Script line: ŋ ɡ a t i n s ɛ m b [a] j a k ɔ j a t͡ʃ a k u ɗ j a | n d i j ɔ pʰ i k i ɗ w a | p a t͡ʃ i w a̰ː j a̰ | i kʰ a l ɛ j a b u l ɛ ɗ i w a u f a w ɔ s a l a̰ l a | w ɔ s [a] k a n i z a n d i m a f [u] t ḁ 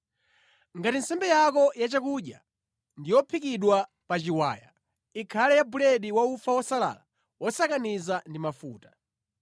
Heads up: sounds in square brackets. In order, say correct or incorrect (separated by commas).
incorrect, correct, incorrect